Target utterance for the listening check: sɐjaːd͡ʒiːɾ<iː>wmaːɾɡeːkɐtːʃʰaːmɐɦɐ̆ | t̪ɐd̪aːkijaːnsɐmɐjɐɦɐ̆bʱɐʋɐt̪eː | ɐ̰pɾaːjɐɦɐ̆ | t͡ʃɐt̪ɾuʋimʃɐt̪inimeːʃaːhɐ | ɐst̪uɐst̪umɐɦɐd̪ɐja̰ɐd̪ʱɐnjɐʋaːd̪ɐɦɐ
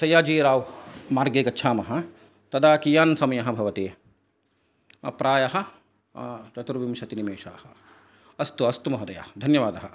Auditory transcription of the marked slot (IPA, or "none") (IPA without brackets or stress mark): aː